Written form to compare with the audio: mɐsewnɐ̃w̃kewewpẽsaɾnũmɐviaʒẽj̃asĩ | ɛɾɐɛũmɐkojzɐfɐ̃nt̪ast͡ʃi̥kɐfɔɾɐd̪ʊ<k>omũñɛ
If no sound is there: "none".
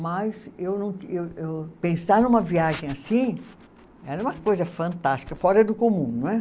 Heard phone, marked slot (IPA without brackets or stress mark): k